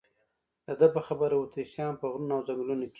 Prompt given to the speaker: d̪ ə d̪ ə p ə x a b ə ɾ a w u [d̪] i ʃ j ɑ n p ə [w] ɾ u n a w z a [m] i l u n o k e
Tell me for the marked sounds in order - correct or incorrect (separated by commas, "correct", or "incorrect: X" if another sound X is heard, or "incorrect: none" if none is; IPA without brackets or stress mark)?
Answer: incorrect: t̪, incorrect: ɣ, correct